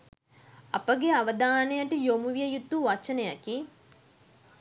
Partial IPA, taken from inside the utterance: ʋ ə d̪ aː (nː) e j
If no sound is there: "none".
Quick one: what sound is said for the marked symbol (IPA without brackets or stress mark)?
n